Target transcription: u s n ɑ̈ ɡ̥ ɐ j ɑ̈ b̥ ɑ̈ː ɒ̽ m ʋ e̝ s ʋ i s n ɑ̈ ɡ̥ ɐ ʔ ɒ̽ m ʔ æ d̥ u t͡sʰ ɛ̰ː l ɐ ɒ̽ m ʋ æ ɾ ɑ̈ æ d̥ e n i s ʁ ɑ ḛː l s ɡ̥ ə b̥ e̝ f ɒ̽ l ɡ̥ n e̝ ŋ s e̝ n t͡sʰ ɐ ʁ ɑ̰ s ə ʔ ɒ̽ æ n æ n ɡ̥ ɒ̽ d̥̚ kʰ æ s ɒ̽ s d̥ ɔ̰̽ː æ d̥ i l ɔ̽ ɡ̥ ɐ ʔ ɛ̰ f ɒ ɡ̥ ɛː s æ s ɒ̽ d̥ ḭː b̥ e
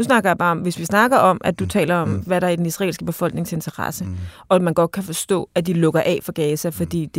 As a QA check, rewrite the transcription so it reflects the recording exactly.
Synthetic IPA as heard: u s n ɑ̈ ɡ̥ ɐ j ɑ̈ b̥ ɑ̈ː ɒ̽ m ʋ e̝ s ʋ i s n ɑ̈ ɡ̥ ɐ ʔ ɒ̽ m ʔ æ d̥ u t͡sʰ ɛ̰ː l ɐ ɒ̽ m ʋ æ ɾ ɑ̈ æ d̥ e n i s ʁ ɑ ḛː l s ɡ̥ ə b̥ e̝ f ɒ̽ l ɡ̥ n e̝ ŋ s e̝ n t͡sʰ ɐ ʁ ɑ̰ s ə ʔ ɒ̽ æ m æ n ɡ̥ ɒ̽ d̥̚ kʰ æ f ɒ̽ s d̥ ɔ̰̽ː æ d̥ i l ɔ̽ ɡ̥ ɐ ʔ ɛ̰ f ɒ ɡ̥ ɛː s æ f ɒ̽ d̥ ḭː d̥ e